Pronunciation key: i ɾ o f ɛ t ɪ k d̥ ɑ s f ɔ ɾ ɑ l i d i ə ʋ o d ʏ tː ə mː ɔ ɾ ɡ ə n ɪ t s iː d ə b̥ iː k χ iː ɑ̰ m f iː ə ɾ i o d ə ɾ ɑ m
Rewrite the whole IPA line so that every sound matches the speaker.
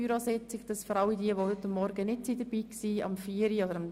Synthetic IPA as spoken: y ɾ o s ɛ t͡s ɪ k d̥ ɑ s f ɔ ɾ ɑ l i d i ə ʋ o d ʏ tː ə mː ɔ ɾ ɡ ə n ɪ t s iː d ə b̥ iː k s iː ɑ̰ m f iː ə ɾ i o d ə ɾ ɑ m